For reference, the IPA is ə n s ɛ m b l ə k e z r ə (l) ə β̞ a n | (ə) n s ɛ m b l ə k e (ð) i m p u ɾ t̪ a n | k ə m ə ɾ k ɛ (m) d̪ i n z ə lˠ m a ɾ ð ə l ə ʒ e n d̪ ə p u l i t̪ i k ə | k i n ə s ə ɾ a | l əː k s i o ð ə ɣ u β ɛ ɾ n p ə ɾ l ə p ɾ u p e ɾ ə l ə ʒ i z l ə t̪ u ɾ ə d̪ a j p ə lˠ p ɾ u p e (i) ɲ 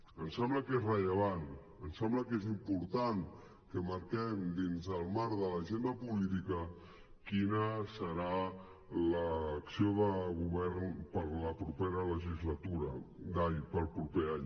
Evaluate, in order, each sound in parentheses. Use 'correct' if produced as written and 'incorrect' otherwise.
incorrect, correct, incorrect, correct, incorrect

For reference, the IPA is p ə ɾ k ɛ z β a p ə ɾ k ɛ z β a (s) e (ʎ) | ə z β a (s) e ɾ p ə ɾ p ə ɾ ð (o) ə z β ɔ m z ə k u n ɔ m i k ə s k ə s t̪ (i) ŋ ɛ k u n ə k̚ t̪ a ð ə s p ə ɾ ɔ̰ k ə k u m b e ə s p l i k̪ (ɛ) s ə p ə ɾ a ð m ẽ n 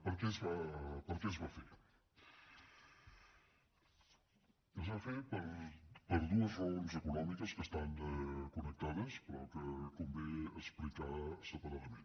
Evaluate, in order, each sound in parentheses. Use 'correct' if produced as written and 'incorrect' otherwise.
incorrect, incorrect, incorrect, incorrect, incorrect, incorrect

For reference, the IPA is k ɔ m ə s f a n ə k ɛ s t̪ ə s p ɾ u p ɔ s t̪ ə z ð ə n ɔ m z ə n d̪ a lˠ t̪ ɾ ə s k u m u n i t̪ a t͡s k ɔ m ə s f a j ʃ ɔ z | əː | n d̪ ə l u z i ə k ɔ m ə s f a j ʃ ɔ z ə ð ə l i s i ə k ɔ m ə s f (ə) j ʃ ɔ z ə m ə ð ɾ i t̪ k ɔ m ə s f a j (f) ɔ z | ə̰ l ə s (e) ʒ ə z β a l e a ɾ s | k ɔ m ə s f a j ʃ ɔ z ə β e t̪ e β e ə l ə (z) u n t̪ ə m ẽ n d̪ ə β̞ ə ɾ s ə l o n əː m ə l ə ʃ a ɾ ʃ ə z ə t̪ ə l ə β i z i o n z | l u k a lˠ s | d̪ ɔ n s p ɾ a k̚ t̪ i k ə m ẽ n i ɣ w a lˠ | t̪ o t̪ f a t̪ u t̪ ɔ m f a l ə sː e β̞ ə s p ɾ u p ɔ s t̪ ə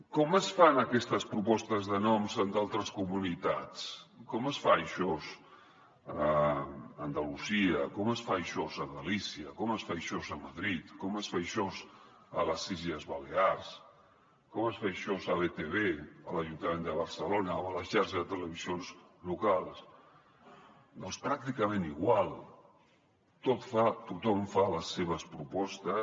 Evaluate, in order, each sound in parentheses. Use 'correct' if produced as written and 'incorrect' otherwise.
incorrect, incorrect, incorrect, incorrect

